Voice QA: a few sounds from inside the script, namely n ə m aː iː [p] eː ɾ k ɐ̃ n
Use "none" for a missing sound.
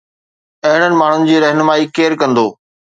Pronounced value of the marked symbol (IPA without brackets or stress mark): k